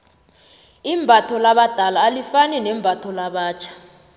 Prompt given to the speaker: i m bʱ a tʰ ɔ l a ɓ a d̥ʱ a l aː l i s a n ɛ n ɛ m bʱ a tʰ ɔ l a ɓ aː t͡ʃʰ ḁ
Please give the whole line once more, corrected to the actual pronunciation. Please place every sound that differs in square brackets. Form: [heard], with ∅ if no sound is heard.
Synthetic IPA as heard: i m bʱ a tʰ ɔ l a ɓ a d̥ʱ a l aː l i [f] a n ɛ n ɛ m bʱ a tʰ ɔ l a ɓ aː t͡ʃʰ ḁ